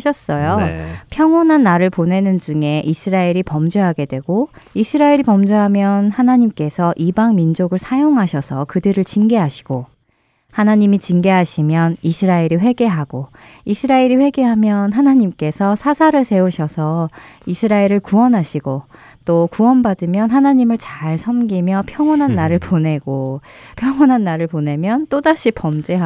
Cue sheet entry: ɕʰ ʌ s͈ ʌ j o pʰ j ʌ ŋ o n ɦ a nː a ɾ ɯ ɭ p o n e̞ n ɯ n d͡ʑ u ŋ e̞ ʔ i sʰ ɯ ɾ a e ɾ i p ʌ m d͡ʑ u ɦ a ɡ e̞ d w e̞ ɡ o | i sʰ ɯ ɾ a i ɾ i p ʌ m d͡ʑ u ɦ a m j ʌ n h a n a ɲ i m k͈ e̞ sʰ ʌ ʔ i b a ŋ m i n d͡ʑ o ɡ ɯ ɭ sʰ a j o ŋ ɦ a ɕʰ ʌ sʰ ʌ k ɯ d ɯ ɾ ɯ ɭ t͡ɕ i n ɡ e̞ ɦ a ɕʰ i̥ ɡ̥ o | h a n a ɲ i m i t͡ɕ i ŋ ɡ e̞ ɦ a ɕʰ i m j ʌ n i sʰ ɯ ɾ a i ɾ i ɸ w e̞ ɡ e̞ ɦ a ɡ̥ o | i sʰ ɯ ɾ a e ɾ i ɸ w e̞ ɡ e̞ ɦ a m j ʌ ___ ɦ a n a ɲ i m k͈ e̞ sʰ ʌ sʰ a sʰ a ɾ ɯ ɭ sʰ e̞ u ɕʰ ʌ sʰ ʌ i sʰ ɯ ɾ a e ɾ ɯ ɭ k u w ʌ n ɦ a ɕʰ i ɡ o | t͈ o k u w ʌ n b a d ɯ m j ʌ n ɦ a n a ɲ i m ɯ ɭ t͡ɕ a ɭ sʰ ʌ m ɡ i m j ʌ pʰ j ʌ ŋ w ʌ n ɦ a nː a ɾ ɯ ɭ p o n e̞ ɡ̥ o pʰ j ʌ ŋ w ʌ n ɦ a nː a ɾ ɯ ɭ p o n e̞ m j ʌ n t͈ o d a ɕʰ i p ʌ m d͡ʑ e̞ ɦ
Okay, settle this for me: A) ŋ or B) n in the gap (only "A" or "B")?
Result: B